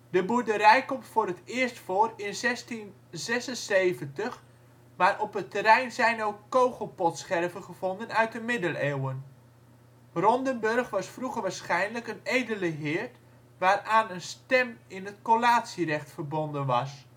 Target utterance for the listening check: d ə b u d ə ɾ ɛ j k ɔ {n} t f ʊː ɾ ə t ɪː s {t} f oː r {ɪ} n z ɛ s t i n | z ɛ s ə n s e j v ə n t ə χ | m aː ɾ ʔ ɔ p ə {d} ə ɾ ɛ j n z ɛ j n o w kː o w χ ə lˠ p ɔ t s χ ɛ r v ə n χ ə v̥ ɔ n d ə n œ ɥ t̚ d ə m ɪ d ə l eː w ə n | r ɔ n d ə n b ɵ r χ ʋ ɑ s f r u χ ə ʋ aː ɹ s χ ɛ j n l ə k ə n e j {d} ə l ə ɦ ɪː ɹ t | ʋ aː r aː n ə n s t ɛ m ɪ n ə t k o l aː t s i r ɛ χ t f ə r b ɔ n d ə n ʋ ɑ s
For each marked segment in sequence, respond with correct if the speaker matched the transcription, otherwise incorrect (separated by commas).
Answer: incorrect, correct, correct, incorrect, correct